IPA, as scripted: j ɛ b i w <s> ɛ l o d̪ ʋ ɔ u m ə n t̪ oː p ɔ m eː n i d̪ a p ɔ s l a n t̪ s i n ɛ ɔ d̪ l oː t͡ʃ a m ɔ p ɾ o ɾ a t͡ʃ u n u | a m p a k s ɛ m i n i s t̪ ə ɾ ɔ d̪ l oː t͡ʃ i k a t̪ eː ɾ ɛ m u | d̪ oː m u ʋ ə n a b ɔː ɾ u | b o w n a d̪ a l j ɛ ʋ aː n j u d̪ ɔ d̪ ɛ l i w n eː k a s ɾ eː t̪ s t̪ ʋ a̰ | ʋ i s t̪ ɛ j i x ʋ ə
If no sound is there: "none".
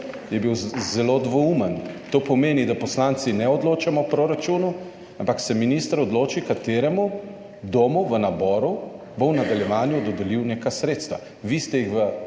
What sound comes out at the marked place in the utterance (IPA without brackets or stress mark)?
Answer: z